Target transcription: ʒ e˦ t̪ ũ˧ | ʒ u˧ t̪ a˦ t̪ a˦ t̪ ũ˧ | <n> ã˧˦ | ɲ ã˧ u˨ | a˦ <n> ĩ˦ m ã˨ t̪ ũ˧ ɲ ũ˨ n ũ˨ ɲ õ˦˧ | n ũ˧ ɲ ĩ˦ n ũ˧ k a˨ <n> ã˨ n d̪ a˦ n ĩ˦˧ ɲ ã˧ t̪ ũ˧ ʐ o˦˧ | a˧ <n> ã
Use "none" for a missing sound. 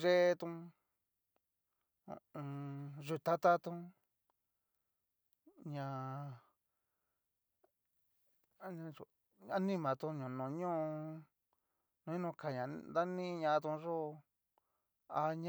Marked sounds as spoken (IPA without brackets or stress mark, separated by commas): ɲ, n, ɲ, ɲ